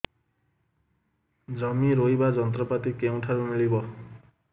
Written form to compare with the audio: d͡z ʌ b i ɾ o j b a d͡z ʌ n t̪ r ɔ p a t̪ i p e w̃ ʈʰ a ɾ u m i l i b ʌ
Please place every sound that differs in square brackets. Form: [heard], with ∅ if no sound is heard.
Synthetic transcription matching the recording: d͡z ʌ [m] i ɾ o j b a d͡z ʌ n t̪ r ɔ p a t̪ i [k] e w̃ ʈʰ a ɾ u m i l i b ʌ